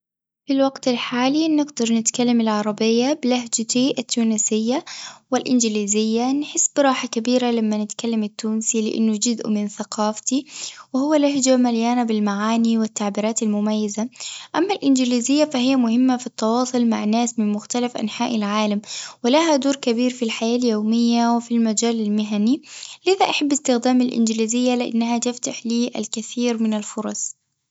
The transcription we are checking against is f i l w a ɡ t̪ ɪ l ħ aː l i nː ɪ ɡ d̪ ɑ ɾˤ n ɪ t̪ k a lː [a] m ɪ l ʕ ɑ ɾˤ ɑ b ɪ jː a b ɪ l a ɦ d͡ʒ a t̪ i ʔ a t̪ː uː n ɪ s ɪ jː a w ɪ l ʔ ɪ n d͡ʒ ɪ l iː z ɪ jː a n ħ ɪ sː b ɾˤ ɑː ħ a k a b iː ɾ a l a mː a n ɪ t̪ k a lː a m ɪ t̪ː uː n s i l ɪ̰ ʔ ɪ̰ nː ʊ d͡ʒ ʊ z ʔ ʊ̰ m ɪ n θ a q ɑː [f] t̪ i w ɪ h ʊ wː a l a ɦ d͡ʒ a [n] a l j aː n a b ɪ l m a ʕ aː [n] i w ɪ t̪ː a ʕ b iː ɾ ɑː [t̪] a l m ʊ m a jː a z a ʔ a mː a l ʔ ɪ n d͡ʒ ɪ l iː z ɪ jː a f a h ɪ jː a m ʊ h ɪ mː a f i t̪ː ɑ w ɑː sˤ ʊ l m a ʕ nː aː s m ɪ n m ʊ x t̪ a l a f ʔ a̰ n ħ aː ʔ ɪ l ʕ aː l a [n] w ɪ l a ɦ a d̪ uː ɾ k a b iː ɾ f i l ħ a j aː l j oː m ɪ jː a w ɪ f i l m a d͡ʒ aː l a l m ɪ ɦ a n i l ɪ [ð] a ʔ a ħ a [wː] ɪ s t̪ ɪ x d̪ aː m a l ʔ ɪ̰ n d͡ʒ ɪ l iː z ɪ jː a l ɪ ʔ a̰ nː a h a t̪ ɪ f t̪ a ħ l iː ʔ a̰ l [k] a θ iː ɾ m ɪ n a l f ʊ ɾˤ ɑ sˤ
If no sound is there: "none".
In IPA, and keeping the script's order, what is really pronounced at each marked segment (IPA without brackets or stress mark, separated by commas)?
a, f, m, n, t̪, m, ð, bː, k